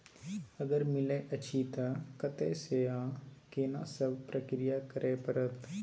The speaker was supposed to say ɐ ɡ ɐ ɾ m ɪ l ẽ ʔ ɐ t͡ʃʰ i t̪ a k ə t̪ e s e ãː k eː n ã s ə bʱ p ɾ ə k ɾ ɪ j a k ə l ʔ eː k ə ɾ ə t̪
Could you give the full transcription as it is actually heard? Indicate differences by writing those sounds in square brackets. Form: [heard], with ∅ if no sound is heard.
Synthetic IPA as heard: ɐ ɡ [ə] ɾ m ɪ l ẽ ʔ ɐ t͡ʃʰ i t̪ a k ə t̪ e s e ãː k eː n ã s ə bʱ p ɾ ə k ɾ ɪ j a k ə [ɾ] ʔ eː [p] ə ɾ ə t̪